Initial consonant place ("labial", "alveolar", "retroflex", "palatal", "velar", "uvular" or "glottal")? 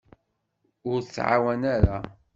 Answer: alveolar